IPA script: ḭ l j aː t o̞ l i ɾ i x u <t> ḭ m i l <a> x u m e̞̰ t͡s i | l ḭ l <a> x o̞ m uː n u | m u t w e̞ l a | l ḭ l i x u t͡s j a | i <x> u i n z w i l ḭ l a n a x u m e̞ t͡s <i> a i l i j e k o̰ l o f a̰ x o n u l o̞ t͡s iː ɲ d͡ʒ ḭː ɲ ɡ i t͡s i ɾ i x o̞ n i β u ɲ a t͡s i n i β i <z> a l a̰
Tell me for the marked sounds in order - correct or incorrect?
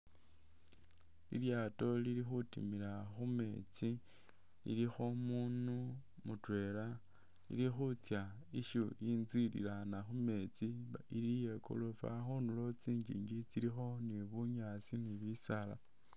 correct, correct, incorrect: i, incorrect: ʃ, correct, incorrect: s

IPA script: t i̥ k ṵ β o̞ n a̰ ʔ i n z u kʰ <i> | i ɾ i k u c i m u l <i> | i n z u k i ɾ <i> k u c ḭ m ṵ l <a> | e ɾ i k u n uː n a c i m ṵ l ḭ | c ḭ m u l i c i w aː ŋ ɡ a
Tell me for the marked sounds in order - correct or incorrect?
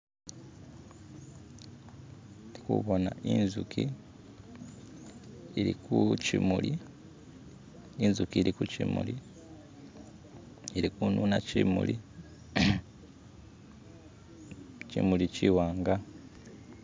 correct, correct, correct, incorrect: i

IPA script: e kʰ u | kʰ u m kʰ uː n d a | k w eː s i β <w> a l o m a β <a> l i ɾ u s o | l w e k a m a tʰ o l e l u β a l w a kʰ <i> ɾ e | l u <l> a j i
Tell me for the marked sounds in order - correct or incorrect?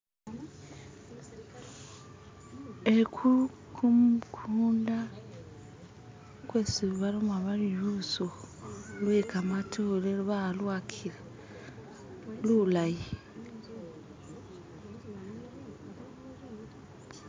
incorrect: β, correct, correct, correct

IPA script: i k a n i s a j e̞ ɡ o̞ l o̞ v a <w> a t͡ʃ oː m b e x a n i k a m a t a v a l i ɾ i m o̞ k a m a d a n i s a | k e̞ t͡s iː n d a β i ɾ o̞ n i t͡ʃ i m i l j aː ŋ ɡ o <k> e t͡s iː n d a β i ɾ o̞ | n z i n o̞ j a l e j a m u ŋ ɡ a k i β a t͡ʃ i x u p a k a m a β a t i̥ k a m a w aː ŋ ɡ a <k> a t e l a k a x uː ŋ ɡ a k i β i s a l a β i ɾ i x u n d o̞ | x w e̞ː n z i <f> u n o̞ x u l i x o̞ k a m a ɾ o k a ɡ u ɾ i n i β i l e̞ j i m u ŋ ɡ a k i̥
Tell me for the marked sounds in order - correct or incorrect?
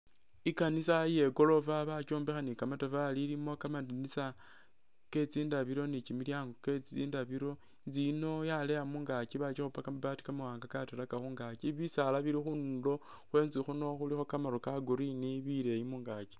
incorrect: β, correct, correct, incorrect: x

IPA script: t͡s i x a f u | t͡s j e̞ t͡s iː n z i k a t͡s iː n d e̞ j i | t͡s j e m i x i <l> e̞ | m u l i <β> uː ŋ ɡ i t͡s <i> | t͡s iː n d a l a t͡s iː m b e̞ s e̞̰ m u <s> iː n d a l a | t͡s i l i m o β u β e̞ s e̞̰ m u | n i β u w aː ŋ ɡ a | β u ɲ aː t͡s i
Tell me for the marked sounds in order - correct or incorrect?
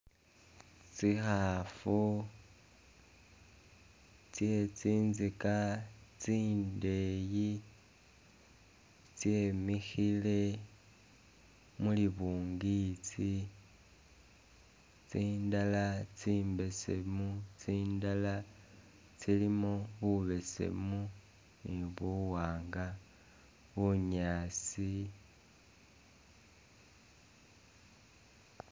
correct, correct, correct, incorrect: t͡s

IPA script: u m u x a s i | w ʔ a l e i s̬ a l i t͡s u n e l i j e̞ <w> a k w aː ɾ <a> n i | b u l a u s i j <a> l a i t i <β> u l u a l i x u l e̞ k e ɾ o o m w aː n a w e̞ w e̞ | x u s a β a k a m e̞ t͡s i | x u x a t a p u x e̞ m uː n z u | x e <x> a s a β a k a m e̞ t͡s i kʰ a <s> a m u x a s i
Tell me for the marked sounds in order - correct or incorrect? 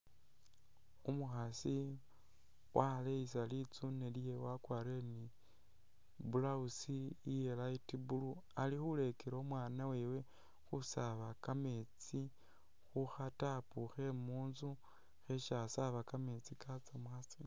correct, incorrect: e, incorrect: e, incorrect: b, incorrect: ʃ, incorrect: t͡s

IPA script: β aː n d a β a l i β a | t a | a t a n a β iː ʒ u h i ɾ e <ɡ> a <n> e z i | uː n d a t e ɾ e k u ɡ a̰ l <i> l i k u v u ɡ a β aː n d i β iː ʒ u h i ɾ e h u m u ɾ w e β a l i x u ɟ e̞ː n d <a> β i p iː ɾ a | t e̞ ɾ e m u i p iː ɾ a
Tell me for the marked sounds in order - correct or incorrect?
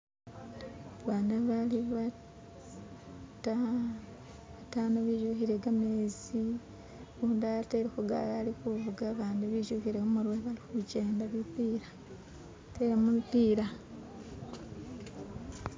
correct, incorrect: m, incorrect: a, correct

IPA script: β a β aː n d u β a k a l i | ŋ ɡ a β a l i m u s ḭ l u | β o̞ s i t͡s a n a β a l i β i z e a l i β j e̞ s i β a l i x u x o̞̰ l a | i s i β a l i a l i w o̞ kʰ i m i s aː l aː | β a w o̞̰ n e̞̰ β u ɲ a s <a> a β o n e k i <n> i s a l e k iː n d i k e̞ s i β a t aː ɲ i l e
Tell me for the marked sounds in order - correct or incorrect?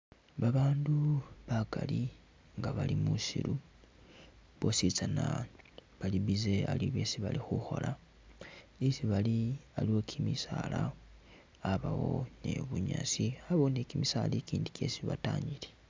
incorrect: i, incorrect: m

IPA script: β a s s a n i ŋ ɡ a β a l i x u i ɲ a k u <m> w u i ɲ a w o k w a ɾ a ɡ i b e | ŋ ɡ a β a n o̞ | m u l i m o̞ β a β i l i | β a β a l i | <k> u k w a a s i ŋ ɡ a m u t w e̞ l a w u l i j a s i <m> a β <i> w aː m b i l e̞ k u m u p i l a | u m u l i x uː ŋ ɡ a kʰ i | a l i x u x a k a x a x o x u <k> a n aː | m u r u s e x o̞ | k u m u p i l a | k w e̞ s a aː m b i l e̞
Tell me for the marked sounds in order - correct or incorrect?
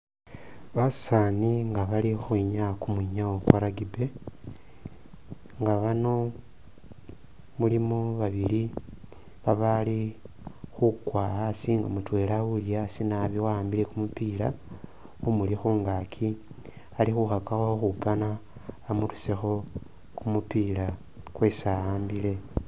correct, incorrect: x, incorrect: n, correct, incorrect: p

